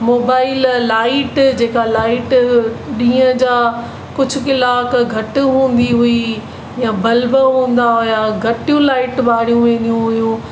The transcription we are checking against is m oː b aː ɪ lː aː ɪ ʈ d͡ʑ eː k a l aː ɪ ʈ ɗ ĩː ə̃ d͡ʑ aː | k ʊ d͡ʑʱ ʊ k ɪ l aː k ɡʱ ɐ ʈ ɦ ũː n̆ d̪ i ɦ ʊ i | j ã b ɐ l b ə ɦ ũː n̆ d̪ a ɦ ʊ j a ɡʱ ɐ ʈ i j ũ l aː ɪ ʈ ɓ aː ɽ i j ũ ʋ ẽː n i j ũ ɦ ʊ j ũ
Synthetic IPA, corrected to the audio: m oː b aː ɪ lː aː ɪ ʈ d͡ʑ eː k a l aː ɪ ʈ ɗ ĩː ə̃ d͡ʑ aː | k ʊ d͡ʑʱ ʊ k ɪ l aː k ɡʱ ɐ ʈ ɦ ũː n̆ d̪ i ɦ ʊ i | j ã b ɐ l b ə ɦ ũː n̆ d̪ a ɦ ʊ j a ɡʱ ɐ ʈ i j ũ l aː ɪ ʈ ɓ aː ɽ i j ũ ʋ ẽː n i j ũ ɦ ʊ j ũ